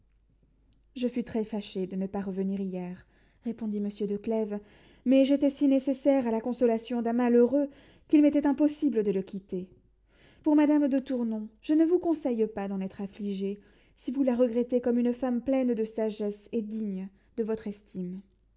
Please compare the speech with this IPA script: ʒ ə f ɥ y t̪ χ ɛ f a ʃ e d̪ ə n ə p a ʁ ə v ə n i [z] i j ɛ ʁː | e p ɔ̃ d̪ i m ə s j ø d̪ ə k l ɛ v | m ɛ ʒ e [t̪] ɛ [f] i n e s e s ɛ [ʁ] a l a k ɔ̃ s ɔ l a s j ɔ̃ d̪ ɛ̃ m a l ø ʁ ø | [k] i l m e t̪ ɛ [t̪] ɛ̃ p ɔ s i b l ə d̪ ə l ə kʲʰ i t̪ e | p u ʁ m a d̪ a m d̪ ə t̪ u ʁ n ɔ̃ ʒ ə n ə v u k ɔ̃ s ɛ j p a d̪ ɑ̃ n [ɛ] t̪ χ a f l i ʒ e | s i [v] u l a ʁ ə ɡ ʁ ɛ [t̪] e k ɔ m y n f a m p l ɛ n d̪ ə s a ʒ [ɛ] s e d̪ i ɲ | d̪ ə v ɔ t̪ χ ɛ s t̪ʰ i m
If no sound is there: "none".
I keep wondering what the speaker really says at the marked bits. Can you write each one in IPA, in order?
ʁ, t̪, s, ʁ, k, t̪, ɛ, v, t̪, ɛ

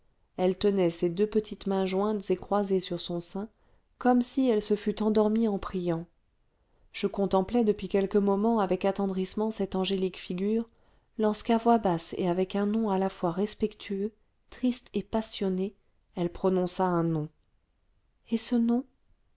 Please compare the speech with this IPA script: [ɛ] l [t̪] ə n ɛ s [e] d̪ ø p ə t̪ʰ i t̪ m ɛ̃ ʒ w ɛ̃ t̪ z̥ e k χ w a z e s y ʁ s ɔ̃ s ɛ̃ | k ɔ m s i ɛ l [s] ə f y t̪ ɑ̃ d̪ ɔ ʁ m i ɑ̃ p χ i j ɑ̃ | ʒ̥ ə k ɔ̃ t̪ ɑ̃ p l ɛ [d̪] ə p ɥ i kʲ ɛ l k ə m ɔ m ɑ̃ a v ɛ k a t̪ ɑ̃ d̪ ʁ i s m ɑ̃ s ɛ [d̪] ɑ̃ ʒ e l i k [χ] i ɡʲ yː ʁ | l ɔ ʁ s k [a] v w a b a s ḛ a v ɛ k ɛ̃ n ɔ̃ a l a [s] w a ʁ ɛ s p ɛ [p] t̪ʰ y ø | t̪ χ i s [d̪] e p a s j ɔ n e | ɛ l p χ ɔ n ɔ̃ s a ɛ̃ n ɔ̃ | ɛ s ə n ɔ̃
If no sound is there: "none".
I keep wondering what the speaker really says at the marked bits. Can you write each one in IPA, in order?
ɛ, t̪, e, s, d̪, t̪, f, a, f, k, t̪

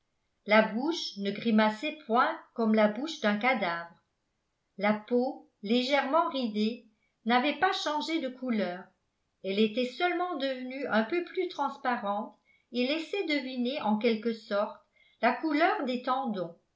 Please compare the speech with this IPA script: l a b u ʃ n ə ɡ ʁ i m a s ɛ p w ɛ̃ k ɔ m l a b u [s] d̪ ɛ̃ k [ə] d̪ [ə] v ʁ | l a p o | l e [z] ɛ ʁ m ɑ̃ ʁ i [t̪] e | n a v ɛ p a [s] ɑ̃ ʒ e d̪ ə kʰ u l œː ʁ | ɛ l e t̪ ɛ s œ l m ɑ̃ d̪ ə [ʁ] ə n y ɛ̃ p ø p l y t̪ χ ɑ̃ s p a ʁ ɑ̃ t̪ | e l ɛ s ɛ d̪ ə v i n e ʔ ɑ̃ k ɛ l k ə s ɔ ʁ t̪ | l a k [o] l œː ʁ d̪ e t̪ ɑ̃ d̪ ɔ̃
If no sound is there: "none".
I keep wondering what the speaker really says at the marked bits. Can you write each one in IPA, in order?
ʃ, a, a, ʒ, d̪, ʃ, v, u

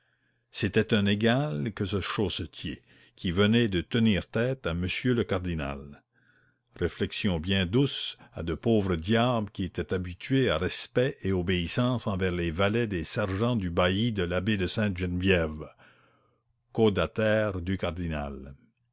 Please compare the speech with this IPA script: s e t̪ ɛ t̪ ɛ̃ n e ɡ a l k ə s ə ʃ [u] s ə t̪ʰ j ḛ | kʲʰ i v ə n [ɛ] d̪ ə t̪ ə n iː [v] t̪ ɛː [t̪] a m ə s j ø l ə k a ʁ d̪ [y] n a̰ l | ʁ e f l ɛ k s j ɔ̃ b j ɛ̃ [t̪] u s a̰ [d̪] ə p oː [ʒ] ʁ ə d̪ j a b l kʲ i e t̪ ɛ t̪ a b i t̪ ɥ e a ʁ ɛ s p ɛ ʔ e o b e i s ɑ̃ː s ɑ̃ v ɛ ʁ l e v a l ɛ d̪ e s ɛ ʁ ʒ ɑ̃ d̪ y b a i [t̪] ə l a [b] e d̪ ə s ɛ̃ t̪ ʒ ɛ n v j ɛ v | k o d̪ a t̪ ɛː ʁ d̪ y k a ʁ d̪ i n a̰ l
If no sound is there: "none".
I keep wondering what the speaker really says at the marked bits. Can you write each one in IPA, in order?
o, ɛ, ʁ, t̪, i, d̪, d̪, v, d̪, b

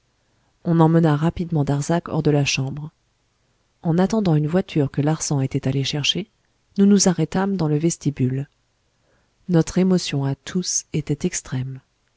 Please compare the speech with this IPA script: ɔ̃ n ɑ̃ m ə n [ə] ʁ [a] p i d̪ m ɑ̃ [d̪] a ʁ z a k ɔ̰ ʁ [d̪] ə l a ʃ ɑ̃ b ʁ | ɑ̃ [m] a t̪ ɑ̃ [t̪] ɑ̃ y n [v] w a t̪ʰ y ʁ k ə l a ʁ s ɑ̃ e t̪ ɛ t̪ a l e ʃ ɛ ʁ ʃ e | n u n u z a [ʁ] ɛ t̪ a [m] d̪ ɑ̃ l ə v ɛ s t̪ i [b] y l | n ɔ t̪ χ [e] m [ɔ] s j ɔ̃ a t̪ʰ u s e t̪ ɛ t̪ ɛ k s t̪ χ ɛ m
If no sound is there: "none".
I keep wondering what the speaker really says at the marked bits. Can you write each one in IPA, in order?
a, a, d̪, d̪, n, d̪, v, ʁ, m, b, e, ɔ

